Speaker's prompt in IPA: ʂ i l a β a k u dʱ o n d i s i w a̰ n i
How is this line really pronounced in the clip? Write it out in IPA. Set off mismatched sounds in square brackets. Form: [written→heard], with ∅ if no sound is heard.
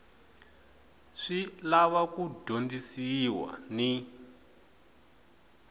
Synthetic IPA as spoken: ʂ i l a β a k u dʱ o n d i s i w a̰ n i